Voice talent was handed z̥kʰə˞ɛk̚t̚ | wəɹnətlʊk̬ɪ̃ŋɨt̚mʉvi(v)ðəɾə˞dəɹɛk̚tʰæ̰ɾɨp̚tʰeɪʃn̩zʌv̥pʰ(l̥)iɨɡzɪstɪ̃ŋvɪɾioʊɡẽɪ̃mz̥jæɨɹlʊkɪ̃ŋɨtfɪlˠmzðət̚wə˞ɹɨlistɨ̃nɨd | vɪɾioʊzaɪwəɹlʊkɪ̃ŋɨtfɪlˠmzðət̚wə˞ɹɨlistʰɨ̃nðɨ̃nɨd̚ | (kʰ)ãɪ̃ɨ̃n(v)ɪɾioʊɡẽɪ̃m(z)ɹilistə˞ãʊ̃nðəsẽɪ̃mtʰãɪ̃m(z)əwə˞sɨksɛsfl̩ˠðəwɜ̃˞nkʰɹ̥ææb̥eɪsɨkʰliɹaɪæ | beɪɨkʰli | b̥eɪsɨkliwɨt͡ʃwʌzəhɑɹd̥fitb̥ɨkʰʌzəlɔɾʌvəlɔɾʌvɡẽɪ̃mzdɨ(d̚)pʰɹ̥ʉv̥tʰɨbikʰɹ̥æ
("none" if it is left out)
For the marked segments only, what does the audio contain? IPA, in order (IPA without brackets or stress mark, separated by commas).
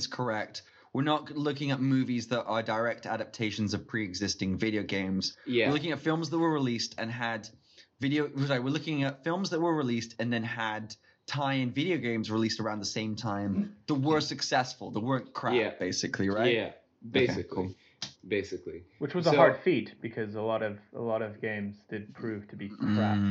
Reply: z, ɹ̥, tʰ, v, z, ð, d̚